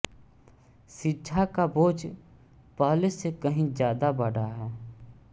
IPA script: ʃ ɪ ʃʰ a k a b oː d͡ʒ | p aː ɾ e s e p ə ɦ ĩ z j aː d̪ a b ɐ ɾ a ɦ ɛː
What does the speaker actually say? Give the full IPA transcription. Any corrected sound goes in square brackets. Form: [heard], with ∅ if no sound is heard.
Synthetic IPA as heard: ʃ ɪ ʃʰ a k a b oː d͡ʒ | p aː [l] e s e [k] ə ɦ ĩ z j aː d̪ a b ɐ [ɽ] a ɦ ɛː